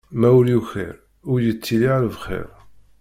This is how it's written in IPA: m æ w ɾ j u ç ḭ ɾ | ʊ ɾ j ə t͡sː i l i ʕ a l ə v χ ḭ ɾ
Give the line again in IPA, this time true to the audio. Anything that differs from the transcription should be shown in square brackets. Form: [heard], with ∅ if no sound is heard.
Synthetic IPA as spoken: m æ w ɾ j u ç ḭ ɾ | ʊ ɾ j ə t͡sː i l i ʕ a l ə v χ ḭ ɾ